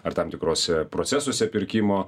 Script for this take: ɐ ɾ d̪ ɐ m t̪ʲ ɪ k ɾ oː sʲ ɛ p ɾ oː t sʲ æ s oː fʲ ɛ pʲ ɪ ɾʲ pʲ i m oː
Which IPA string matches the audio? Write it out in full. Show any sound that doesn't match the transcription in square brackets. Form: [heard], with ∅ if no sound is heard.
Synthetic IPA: ɐ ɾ [t̪] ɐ m t̪ʲ ɪ k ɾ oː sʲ ɛ p ɾ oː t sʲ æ s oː [sʲ] ɛ pʲ ɪ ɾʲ [kʲ] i m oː